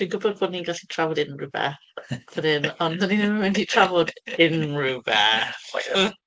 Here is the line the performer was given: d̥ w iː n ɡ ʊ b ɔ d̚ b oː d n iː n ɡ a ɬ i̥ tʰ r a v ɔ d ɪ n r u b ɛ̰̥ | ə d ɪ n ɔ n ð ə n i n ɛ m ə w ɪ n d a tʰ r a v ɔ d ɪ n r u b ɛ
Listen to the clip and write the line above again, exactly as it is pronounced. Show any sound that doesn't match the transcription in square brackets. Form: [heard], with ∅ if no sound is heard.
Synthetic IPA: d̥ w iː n ɡ ʊ b ɔ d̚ b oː d n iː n ɡ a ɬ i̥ tʰ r a v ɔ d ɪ n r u b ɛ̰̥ | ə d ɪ n ɔ n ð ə n i n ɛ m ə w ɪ n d [i] tʰ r a v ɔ d ɪ n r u b ɛ